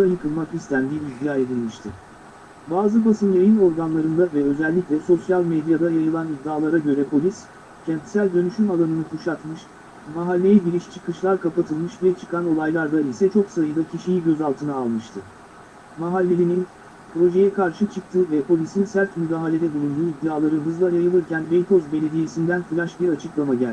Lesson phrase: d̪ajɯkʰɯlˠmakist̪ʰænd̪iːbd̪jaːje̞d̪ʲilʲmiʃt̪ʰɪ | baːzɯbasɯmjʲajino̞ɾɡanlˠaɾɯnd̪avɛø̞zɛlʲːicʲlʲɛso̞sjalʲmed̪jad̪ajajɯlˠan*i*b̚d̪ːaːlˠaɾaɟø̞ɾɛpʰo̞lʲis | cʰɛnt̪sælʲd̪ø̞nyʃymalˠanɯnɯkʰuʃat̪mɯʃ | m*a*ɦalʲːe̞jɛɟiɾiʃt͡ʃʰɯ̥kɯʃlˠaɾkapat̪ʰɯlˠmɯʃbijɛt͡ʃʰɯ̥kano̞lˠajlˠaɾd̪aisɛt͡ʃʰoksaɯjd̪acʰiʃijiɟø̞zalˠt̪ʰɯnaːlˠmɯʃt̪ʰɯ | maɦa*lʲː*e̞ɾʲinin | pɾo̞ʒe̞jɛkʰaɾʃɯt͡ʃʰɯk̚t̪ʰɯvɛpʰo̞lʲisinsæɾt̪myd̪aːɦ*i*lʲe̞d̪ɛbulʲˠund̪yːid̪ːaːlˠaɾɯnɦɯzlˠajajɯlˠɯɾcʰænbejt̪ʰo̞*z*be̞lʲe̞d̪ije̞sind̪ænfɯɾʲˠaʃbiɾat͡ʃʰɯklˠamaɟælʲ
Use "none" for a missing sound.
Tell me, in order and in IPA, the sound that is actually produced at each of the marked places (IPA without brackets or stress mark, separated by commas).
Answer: i, a, lʲː, a, z